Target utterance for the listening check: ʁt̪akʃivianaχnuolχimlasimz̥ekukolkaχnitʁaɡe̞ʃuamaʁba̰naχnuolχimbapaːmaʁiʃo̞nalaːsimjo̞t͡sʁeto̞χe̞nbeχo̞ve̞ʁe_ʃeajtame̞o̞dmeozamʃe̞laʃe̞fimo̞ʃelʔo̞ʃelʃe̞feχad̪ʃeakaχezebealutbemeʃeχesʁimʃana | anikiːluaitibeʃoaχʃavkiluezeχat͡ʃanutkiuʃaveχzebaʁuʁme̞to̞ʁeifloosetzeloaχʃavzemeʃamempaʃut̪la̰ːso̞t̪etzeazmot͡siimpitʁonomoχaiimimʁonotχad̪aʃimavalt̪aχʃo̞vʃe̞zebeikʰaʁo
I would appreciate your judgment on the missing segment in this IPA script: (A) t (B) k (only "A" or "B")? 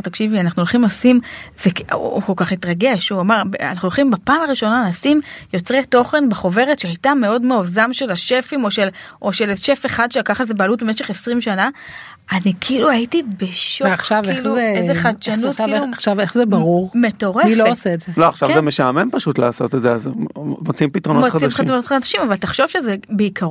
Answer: A